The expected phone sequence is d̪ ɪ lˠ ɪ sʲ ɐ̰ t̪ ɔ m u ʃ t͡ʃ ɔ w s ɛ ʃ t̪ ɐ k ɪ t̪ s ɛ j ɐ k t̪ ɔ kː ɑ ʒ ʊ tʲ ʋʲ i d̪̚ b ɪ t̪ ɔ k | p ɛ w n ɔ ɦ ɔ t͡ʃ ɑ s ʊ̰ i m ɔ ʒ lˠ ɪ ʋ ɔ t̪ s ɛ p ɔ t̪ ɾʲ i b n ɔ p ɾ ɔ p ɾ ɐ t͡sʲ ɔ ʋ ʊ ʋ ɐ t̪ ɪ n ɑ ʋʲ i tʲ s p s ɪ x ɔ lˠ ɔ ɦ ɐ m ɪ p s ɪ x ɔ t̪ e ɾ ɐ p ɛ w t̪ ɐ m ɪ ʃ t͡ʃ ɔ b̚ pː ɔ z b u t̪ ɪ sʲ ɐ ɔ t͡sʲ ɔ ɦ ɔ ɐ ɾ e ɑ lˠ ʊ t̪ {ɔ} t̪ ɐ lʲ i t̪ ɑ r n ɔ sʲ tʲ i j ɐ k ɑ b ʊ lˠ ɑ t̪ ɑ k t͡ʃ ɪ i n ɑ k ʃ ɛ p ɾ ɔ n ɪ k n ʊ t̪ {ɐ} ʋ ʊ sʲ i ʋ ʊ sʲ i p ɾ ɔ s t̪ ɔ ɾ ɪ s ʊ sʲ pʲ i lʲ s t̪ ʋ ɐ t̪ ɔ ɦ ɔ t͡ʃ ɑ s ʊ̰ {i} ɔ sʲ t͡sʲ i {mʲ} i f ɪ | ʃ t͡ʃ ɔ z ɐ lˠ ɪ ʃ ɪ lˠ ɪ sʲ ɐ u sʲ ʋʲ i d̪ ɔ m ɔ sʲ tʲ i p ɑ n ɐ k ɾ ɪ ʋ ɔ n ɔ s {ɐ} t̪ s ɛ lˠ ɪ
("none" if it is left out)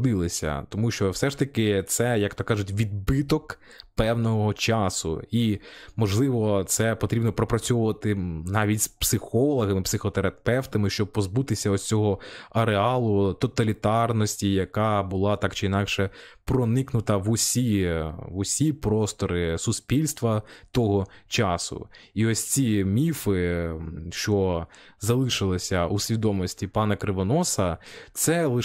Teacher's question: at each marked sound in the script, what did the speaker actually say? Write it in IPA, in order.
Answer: ɔ, ɐ, i, mʲ, ɐ

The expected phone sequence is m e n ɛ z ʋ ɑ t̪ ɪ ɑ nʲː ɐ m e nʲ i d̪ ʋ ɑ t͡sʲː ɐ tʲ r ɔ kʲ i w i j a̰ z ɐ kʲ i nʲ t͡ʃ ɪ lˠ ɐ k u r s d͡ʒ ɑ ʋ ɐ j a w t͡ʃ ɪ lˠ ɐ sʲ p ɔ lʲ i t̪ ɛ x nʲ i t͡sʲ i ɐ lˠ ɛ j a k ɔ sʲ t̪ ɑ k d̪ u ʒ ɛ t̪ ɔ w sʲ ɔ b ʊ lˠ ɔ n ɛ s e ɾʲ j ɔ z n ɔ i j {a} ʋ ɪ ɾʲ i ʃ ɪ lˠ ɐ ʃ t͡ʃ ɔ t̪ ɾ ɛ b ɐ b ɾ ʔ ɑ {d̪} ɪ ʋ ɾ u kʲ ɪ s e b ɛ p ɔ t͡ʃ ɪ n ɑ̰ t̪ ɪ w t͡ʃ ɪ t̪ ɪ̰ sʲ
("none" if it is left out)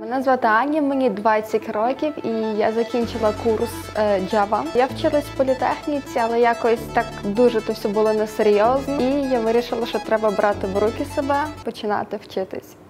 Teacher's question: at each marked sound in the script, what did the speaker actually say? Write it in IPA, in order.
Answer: a, t̪

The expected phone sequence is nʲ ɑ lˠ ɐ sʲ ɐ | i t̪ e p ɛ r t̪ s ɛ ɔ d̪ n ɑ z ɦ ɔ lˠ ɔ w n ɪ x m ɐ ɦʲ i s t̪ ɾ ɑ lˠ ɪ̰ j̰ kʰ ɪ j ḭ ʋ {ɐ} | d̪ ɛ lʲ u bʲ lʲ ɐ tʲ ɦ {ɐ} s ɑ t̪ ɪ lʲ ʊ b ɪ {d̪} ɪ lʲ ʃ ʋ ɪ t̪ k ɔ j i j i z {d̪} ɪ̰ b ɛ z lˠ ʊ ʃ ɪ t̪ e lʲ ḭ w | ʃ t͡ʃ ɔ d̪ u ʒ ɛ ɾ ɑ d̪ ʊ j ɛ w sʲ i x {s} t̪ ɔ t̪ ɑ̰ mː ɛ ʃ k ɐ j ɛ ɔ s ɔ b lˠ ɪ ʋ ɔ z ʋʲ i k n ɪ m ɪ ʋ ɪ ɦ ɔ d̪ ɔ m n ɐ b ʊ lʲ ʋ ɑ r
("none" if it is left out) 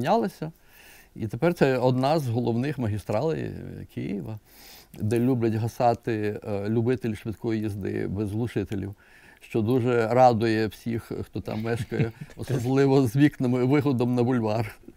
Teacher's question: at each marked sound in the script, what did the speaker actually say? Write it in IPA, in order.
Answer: ɐ, ɐ, t̪, d̪, x

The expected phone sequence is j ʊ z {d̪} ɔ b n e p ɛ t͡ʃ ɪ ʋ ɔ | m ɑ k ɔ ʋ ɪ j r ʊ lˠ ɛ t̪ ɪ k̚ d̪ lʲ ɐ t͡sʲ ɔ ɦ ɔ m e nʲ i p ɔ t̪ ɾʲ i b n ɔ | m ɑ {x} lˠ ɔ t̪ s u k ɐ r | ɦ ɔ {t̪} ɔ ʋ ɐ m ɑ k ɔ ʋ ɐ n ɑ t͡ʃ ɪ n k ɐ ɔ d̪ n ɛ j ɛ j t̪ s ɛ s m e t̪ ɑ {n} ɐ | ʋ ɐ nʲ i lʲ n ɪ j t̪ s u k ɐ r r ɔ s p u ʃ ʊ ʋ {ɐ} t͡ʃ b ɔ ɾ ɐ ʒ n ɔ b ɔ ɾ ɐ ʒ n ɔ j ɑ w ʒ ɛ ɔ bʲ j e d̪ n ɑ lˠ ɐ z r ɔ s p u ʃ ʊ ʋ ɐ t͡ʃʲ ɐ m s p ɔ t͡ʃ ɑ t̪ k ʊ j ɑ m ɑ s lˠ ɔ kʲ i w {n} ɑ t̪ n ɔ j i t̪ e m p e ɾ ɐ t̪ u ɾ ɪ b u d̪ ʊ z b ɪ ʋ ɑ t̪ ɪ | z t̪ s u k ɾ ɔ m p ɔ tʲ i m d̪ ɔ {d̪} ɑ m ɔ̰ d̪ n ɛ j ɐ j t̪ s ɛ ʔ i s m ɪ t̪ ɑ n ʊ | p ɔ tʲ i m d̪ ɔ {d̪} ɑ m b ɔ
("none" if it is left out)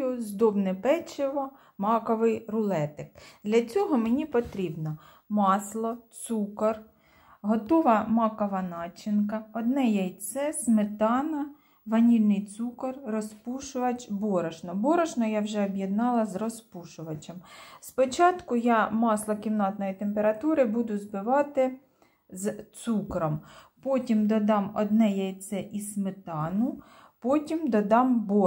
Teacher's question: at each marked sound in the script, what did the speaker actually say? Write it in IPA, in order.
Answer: d̪, s, t̪, n, ɐ, n, d̪, d̪

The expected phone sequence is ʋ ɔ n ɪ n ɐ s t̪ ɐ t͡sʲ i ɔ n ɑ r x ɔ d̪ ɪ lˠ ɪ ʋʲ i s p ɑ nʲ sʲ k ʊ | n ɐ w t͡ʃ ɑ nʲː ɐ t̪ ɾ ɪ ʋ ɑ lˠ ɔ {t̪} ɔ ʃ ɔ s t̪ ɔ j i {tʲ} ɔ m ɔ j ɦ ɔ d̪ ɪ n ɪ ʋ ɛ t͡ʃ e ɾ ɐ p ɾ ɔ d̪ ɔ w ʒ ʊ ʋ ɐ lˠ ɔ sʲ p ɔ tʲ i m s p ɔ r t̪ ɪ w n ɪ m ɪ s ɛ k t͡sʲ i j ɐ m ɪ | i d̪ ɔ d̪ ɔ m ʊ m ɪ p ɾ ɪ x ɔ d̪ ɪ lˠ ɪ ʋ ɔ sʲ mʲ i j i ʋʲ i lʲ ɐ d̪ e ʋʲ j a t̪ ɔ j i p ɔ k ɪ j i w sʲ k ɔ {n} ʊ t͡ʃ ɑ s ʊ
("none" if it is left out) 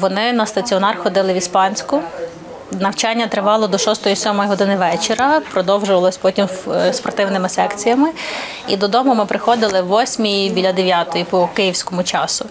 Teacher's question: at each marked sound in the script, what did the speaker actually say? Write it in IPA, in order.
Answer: d̪, sʲ, m

